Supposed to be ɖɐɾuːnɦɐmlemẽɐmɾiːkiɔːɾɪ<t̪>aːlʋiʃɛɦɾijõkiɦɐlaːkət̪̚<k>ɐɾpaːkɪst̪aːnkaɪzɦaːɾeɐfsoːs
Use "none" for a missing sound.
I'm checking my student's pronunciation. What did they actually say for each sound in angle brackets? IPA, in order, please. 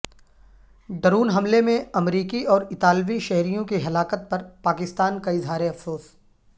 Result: t̪, p

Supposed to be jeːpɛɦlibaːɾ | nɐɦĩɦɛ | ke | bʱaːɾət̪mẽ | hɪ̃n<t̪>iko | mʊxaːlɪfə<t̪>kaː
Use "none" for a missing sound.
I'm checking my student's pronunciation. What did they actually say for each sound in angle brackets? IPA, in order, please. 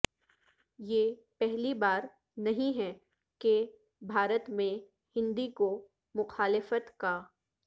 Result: d̪, t̪

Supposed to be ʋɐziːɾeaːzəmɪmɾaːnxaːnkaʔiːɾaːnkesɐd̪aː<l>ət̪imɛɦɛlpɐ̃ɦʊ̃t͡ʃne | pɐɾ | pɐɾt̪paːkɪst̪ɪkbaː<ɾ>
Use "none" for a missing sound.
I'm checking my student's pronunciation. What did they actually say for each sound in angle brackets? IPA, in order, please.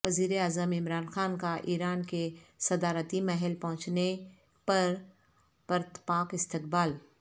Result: ɾ, l

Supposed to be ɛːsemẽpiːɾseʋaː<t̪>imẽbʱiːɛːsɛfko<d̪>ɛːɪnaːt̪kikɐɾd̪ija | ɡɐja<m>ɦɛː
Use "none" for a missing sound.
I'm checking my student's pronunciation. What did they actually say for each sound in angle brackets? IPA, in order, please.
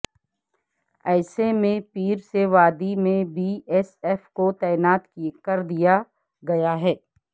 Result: d̪, t̪, none

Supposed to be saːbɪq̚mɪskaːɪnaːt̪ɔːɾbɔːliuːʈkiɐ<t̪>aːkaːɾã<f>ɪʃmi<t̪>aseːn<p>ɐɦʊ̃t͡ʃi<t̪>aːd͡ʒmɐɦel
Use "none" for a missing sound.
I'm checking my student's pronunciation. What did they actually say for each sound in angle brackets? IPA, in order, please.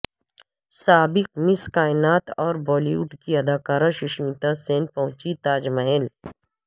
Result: d̪, ʃ, t̪, p, t̪

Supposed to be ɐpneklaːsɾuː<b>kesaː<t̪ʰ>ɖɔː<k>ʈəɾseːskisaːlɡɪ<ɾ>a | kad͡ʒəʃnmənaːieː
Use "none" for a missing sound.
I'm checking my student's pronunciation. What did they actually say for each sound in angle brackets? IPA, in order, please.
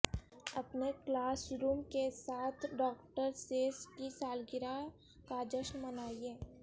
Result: m, t̪ʰ, k, ɾ

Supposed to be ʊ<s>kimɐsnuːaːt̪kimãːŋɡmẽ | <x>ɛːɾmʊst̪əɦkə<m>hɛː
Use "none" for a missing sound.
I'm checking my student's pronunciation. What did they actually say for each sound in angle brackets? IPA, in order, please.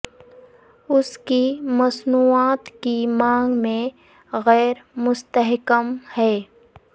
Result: s, ɣ, m

